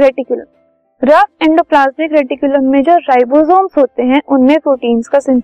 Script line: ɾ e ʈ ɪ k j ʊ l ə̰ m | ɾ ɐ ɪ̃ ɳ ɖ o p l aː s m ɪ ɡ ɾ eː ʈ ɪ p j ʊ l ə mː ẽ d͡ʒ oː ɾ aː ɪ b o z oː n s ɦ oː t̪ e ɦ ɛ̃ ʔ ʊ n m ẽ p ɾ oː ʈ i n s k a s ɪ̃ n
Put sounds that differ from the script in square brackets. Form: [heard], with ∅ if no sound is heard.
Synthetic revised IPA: ɾ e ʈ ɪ k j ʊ l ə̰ m | ɾ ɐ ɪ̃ ɳ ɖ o p l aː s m ɪ [k] ɾ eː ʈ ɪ [k] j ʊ l ə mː ẽ d͡ʒ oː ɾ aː ɪ b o z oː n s ɦ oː t̪ e ɦ ɛ̃ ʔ ʊ n m ẽ p ɾ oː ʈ [iː] n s k a s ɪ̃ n